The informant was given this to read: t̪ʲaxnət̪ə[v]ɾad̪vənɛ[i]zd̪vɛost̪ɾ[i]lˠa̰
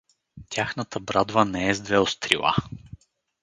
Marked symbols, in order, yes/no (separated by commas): no, no, yes